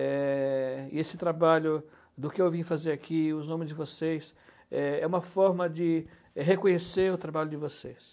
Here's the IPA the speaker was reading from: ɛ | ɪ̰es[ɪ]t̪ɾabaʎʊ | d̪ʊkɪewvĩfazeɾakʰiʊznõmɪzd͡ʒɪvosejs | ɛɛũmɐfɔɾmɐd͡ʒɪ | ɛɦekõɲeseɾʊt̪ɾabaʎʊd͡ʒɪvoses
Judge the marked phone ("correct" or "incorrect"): correct